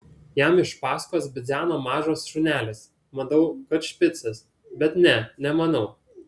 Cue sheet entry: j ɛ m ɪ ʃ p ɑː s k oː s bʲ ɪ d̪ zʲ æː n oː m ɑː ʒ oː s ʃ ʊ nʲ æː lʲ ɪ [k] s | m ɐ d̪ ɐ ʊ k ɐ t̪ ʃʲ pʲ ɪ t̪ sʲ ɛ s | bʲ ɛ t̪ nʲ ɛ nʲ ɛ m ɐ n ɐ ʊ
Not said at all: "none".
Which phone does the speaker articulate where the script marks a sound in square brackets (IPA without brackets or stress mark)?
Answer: none